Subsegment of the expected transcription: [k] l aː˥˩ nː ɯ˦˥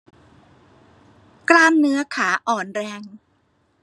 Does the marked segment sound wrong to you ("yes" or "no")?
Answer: no